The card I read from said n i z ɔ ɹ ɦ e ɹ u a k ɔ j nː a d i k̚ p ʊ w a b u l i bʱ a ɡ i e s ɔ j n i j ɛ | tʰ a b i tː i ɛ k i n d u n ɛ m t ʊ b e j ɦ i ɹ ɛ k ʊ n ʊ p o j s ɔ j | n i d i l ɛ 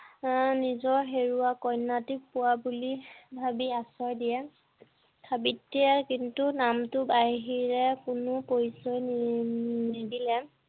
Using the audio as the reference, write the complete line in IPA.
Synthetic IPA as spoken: n i z ɔ ɹ ɦ e ɹ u a k ɔ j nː a t i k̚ p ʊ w a b u l i bʱ a b i a s ɔ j d i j ɛ | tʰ a b i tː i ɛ k i n t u n a m t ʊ b a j ɦ i ɹ ɛ k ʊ n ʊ p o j s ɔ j | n i d i l ɛ